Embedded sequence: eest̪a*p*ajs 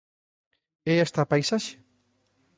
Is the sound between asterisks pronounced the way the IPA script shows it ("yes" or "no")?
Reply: yes